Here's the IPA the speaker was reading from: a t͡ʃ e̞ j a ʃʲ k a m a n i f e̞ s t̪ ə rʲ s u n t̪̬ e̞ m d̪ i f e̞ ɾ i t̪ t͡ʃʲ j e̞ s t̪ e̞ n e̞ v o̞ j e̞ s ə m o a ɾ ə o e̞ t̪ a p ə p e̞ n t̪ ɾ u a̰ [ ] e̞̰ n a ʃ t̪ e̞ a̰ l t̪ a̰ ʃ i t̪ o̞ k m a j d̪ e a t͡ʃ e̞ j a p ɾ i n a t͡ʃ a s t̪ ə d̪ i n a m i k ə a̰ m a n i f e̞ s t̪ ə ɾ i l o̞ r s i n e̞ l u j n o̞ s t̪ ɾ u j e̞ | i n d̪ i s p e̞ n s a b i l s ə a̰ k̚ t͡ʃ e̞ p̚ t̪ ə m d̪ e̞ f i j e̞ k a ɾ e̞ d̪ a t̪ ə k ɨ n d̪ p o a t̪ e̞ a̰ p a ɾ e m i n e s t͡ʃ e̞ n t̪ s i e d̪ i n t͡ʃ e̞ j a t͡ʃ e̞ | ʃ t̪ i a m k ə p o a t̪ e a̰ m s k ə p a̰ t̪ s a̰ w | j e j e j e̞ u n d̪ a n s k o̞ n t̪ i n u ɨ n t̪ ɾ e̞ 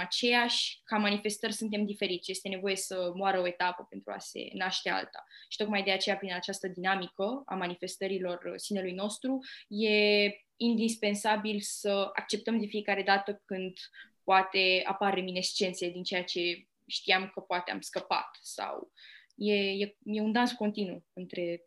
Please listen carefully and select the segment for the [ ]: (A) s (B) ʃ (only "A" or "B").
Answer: A